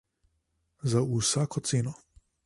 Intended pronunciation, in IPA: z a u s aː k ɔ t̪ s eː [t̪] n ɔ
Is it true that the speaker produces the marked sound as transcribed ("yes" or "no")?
no